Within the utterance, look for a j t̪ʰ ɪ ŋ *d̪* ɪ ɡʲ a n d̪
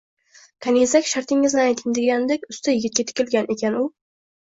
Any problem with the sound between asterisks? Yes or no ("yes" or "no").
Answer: no